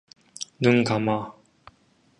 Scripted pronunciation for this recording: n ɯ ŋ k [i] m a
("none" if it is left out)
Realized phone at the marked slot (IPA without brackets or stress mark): a